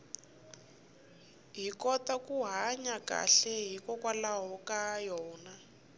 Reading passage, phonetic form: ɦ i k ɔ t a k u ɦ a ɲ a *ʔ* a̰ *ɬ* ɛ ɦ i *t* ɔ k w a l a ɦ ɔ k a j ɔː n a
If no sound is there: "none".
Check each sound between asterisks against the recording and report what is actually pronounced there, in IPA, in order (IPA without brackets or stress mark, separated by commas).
k, ɬ, k